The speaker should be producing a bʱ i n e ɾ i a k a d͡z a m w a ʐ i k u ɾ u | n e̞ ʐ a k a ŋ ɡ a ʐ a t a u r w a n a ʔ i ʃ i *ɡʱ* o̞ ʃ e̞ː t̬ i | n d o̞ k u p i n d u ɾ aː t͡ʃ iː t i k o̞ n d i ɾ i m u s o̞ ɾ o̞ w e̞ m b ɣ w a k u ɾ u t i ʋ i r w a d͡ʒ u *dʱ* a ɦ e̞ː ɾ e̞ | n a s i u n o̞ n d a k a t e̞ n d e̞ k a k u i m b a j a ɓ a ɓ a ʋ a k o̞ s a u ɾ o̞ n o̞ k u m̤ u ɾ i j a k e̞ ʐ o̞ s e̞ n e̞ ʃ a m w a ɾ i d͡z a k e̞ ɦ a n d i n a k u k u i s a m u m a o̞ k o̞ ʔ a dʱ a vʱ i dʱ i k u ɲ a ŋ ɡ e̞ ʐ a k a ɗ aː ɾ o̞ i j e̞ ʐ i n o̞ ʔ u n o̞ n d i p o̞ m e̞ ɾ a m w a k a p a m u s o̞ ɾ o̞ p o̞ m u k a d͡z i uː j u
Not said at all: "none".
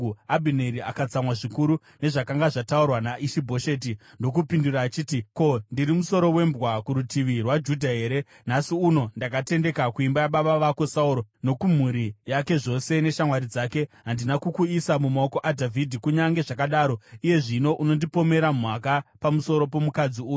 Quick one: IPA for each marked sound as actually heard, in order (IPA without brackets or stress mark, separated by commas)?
bʱ, dʱ